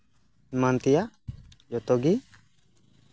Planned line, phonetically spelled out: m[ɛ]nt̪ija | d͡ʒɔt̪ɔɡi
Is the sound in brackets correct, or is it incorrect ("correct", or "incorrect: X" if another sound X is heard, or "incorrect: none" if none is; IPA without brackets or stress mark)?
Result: incorrect: a